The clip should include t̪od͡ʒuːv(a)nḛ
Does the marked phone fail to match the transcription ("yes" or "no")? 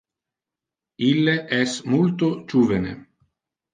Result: yes